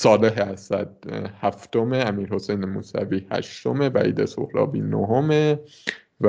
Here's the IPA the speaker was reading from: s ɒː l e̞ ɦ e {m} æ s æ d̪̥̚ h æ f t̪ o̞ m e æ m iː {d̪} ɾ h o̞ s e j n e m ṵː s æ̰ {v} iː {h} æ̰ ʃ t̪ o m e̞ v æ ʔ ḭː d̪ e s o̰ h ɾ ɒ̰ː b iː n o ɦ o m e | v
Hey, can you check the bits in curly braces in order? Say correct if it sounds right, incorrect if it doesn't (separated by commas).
incorrect, incorrect, correct, correct